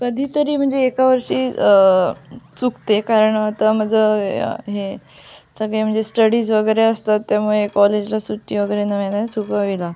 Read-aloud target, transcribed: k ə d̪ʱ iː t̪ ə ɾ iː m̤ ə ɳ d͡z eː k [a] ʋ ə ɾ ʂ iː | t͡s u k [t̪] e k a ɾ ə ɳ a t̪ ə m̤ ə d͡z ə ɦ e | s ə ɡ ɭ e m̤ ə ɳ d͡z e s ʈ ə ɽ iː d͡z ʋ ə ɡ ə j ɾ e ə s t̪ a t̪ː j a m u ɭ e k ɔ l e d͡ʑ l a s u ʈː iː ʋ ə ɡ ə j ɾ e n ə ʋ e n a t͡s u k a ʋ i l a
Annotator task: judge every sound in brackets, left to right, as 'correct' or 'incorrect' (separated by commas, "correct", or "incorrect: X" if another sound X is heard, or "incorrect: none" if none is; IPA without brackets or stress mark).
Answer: correct, correct